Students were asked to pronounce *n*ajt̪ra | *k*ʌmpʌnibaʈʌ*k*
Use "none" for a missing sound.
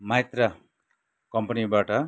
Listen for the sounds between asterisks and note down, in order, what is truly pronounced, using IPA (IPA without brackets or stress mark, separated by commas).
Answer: m, k, none